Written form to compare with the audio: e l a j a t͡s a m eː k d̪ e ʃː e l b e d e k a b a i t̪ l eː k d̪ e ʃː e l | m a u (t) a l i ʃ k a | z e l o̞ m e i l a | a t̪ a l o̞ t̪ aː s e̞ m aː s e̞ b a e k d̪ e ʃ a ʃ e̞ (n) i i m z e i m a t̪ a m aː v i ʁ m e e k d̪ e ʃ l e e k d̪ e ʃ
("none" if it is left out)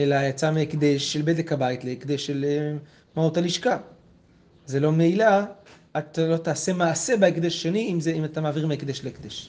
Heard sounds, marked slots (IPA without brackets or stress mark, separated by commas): t, n